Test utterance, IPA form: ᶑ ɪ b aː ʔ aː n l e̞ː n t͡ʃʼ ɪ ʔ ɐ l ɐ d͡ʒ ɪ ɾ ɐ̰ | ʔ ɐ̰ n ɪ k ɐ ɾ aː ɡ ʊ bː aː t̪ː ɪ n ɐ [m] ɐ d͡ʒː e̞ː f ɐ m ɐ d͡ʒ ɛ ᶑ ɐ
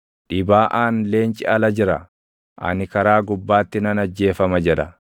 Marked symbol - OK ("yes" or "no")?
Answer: no